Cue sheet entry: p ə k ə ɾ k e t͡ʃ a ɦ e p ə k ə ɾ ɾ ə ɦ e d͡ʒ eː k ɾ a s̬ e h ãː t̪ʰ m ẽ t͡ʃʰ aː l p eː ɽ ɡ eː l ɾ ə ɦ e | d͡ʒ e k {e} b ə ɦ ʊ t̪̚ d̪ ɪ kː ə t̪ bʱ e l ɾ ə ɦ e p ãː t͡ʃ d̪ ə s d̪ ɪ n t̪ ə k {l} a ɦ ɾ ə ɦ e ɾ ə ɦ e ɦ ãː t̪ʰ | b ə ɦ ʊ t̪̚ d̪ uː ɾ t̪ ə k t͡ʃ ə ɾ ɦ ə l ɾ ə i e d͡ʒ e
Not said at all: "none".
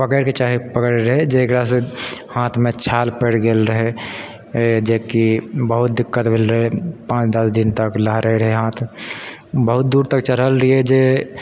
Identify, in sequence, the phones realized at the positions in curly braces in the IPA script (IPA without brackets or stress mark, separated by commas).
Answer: i, l